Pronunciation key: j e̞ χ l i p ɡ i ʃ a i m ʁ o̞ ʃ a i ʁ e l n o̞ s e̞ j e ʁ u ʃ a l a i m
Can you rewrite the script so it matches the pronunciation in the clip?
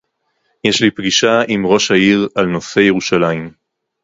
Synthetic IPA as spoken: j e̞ ʃ l i p ɡ i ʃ a i m ʁ o̞ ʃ a i ʁ a l n o̞ s e̞ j e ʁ u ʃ a l a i m